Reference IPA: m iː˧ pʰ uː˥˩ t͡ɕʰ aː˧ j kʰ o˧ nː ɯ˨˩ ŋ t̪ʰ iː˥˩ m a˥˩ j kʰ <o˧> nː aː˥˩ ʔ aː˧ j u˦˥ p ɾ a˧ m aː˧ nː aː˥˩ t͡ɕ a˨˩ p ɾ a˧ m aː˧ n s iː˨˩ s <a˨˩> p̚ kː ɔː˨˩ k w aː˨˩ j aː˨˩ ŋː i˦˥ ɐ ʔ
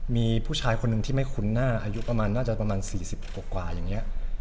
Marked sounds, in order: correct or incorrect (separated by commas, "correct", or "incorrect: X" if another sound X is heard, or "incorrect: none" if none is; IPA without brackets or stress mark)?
incorrect: u˧, incorrect: i˨˩